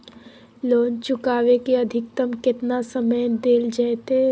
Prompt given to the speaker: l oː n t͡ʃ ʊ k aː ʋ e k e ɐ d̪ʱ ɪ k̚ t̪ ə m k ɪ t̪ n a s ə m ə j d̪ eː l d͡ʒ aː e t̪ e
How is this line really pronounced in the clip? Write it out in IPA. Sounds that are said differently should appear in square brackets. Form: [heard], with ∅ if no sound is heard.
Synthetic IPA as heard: l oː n t͡ʃ ʊ k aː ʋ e k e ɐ d̪ʱ ɪ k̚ t̪ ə m k ɪ t̪ n a s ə m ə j d̪ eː l d͡ʒ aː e t̪ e